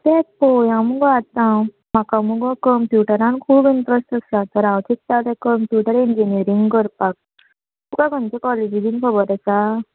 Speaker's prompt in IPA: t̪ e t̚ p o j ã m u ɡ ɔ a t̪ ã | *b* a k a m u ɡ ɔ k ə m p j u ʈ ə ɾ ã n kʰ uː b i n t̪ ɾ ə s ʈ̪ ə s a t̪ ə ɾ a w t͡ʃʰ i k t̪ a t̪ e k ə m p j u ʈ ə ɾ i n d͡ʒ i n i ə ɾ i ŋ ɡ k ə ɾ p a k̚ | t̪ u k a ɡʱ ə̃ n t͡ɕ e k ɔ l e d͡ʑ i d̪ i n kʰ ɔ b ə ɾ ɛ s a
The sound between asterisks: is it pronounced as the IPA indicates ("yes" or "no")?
no